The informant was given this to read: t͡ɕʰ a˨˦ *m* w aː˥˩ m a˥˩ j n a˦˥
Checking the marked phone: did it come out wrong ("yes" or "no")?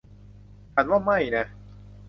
yes